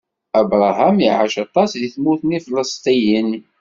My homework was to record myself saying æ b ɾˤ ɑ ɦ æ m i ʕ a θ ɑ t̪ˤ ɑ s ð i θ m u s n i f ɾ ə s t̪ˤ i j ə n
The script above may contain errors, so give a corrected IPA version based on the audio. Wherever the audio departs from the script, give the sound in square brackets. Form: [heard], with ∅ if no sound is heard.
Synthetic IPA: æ b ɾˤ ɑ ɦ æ m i ʕ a [ʃ] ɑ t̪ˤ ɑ s ð i θ m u [θ] n i f [l] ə s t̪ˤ i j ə n